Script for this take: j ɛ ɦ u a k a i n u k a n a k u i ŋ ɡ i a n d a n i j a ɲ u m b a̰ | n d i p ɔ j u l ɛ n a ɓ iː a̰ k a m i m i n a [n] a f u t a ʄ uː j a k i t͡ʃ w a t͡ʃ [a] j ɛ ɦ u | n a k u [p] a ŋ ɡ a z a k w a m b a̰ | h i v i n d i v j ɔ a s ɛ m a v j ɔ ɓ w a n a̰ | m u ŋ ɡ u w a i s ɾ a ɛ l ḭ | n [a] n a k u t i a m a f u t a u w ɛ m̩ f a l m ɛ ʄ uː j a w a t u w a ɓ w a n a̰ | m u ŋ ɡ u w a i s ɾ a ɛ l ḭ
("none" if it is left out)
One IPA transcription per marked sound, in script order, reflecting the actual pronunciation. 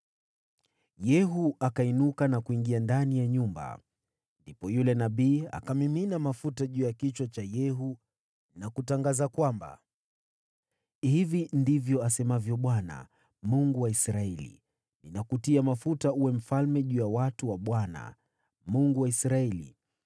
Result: m, a, t, i

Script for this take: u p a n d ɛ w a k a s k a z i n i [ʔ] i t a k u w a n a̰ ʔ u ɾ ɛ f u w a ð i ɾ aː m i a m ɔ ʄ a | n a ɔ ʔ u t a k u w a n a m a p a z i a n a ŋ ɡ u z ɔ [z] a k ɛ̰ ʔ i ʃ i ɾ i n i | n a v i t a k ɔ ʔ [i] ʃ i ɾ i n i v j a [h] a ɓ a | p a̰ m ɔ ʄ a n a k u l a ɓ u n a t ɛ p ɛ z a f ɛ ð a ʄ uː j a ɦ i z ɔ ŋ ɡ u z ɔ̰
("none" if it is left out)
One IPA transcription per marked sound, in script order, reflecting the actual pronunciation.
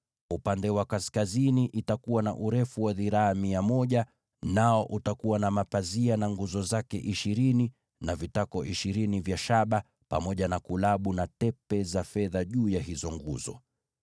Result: ʔ, z, i, ʃ

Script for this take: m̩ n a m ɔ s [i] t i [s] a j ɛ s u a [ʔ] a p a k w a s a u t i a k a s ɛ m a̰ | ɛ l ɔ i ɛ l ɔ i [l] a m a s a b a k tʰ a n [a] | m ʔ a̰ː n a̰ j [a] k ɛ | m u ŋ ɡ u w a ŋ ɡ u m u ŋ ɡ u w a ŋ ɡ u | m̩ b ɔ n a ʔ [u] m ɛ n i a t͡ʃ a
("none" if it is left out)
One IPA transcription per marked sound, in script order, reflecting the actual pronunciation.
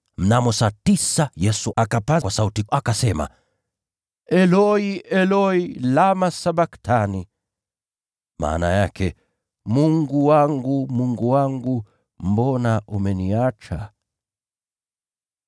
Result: a, s, k, l, i, a, u

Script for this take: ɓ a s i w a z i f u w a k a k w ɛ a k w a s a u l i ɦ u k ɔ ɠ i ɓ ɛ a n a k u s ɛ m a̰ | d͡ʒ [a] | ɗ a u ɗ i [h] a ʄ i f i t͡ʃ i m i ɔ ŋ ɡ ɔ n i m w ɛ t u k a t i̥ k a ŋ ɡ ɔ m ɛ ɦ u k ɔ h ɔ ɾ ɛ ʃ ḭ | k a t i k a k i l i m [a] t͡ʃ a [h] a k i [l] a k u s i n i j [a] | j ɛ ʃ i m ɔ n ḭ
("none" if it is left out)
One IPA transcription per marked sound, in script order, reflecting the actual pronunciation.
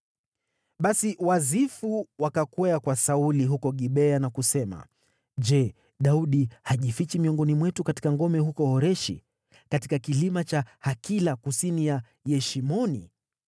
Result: ɛ, h, a, h, l, a

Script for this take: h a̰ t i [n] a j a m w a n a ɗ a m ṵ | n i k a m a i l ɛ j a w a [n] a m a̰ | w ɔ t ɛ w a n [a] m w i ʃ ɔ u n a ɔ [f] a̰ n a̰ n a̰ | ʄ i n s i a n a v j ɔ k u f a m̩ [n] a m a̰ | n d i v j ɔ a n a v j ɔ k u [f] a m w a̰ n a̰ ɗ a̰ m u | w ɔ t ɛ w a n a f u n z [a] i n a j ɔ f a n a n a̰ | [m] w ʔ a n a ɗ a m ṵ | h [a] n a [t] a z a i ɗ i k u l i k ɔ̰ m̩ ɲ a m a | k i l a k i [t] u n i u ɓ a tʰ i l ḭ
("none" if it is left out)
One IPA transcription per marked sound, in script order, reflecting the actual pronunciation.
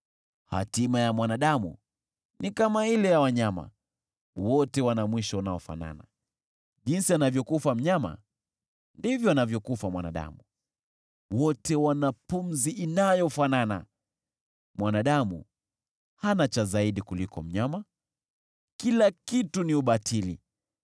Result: m, ɲ, a, f, ɲ, f, i, m, a, t͡ʃ, t

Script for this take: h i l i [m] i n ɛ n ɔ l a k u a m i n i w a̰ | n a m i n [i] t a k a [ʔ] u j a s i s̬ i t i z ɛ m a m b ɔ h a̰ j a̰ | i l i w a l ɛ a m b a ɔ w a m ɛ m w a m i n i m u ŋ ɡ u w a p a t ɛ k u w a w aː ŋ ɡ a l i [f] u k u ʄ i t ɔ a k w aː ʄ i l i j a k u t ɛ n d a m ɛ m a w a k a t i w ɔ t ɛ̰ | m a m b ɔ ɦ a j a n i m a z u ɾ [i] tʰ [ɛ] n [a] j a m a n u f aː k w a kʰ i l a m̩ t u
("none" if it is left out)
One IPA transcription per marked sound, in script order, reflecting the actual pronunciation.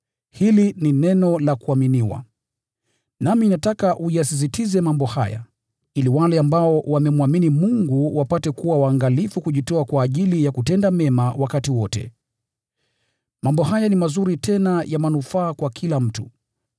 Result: n, a, ʔ, f, i, ɛ, a

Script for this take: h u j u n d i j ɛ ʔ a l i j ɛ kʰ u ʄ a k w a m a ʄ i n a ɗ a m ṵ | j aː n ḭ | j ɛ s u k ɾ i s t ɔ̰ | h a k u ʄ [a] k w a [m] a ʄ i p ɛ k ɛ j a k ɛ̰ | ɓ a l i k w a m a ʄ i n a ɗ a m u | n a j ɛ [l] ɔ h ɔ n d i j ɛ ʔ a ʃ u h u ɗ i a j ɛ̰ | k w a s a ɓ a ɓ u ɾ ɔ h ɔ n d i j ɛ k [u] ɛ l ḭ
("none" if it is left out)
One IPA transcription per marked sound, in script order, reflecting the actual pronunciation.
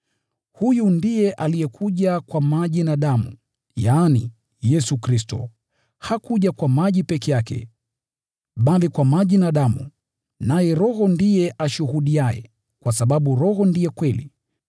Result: a, m, ɾ, w

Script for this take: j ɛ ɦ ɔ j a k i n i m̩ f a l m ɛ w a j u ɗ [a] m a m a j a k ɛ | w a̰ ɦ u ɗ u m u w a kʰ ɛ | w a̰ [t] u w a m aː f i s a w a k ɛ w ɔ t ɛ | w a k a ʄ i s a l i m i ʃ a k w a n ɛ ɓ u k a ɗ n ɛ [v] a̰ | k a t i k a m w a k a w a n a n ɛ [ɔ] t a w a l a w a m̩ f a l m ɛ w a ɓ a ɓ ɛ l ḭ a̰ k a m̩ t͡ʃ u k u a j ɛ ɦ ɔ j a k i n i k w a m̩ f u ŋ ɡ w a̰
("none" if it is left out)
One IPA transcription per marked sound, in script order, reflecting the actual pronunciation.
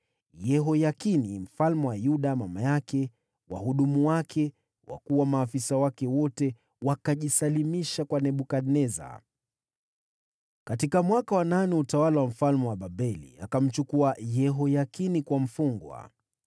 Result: a, k, z, u

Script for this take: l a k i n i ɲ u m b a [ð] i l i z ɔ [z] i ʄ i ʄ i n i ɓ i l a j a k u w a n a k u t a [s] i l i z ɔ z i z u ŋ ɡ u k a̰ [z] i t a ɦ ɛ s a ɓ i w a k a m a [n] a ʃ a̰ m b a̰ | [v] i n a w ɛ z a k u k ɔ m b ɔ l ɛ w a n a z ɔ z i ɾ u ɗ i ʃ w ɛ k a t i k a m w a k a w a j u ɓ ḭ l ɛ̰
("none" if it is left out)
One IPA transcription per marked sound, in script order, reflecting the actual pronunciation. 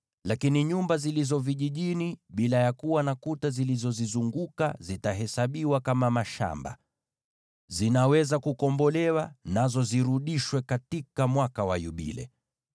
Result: z, v, z, z, m, z

